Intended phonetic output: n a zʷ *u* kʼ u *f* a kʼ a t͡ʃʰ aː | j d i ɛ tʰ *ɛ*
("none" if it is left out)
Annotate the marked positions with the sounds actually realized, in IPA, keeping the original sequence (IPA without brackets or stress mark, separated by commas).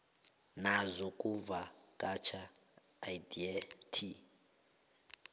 ɔ, v, i